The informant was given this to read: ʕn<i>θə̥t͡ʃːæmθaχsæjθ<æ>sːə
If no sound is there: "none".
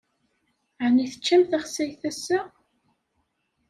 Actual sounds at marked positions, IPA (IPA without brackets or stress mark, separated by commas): i, æ